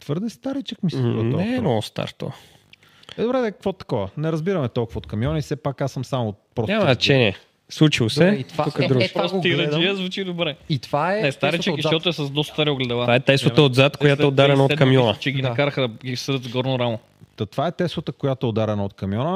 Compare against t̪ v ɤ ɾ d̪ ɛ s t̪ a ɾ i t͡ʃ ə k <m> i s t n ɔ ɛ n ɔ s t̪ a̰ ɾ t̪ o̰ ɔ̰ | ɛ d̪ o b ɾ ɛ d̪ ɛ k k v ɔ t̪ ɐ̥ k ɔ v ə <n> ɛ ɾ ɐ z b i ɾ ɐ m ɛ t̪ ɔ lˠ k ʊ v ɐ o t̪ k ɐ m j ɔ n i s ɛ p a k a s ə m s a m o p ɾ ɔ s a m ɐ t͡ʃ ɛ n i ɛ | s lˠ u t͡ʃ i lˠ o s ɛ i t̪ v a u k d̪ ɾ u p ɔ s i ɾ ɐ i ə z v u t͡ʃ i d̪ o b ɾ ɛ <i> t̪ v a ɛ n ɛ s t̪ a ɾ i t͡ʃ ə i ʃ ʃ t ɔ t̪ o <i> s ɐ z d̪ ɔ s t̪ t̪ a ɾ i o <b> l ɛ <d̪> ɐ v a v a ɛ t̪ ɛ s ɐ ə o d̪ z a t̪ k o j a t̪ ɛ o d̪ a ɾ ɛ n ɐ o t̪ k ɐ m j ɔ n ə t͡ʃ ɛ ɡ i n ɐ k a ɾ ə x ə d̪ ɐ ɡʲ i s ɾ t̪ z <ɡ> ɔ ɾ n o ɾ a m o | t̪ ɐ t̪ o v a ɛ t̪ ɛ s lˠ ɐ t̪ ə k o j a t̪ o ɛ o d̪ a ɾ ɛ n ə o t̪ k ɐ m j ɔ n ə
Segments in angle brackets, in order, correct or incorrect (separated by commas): correct, correct, correct, incorrect, incorrect, correct, correct